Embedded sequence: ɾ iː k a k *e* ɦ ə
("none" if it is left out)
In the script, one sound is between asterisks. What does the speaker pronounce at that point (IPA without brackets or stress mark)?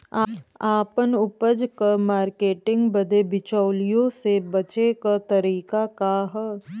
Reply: a